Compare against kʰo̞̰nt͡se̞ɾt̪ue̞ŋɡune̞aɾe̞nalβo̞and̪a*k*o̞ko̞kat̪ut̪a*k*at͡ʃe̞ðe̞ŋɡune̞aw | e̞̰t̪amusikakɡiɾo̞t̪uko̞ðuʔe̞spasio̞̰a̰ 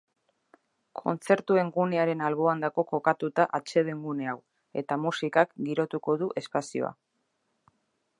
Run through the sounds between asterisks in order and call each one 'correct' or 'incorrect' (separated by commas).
correct, incorrect